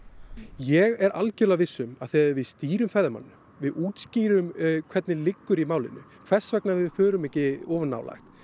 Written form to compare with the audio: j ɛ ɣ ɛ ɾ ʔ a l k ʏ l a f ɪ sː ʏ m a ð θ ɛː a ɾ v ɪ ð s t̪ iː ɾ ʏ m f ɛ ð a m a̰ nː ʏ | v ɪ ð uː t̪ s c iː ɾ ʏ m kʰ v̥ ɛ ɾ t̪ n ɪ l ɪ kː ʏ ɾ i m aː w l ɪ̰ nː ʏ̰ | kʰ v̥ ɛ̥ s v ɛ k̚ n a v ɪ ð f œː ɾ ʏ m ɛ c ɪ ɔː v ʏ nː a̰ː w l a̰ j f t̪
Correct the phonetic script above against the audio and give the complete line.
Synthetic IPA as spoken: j ɛ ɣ ɛ ɾ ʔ a l c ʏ l a v ɪ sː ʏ m a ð θ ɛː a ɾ v ɪ ð s t̪ iː ɾ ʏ m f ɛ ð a m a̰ nː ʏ | v ɪ ð uː t̪ s c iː ɾ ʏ m kʰ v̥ ɛ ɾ t̪ n ɪ l ɪ kː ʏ ɾ i m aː w l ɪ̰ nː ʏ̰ | kʰ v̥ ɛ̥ s v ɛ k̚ n a v ɪ ð f œː ɾ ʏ m ɛ c ɪ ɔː v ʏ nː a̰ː w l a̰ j x t̪